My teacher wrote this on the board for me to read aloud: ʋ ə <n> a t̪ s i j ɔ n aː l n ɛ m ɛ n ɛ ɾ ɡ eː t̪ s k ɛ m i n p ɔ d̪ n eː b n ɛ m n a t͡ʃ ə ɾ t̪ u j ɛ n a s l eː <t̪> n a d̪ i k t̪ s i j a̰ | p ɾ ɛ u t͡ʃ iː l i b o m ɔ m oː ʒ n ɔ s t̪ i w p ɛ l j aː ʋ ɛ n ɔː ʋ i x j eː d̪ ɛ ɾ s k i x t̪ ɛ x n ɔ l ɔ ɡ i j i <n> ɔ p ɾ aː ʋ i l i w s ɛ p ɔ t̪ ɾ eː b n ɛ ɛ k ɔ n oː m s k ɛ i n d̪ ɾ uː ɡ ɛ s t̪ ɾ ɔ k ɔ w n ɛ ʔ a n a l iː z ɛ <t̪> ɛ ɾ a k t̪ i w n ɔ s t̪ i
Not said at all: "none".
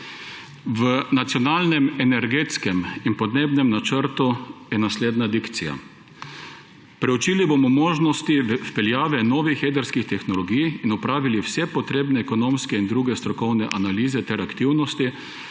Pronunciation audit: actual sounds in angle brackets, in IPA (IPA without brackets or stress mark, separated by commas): n, d̪, n, t̪